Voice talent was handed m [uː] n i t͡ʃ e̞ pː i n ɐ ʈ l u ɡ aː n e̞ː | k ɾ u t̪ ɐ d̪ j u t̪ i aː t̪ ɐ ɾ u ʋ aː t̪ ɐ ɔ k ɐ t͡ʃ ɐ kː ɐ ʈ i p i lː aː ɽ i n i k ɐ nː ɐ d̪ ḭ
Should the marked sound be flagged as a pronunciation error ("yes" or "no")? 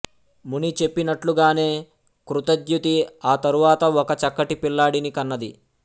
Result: yes